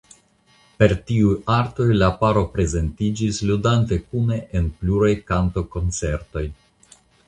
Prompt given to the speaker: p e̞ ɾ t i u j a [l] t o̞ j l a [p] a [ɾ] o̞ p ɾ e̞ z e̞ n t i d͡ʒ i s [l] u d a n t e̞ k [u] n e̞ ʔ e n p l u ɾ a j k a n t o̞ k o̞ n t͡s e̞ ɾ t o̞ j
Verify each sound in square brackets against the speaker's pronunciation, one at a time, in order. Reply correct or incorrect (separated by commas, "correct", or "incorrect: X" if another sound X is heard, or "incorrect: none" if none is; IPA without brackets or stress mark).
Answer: incorrect: ɾ, correct, correct, correct, correct